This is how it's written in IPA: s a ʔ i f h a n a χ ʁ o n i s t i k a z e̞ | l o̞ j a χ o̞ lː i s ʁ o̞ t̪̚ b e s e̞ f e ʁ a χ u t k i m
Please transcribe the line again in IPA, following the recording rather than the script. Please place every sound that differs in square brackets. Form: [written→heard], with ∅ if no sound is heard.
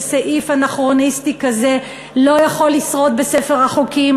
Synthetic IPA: s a ʔ i f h a n a χ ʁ o n i s t i k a z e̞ | l o̞ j a χ o̞ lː i s ʁ o̞ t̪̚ b e s e̞ f e ʁ a χ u [t→∅] k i m